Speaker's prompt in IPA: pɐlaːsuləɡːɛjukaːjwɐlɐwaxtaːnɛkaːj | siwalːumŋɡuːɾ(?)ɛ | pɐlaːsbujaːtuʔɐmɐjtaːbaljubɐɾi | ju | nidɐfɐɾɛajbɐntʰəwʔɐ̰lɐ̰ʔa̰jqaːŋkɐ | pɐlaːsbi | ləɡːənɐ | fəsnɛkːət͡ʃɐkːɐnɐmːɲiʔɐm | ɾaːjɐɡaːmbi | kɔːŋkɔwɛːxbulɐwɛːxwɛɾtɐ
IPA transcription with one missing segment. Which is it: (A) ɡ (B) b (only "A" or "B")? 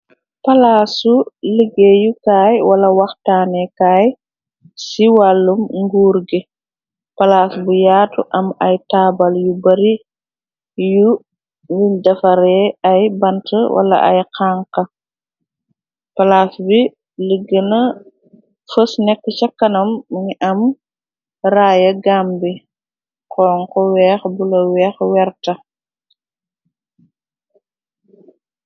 A